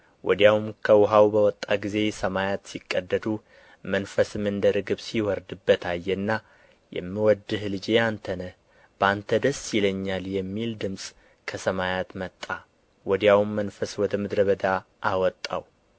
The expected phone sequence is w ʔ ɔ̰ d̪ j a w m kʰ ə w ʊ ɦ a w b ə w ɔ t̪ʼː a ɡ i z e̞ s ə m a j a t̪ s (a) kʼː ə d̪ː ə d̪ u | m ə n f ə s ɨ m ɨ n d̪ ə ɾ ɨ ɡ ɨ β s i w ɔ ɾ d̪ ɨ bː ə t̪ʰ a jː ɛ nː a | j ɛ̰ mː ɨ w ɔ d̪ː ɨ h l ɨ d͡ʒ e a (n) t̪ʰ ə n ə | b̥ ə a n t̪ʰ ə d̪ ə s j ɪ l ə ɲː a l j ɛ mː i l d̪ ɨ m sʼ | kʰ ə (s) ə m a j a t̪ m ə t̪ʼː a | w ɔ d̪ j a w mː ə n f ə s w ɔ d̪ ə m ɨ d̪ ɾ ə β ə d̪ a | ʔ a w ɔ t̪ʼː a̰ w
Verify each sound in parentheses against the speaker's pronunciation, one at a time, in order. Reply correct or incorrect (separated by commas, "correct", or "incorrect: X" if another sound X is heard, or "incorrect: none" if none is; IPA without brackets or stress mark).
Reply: incorrect: i, correct, correct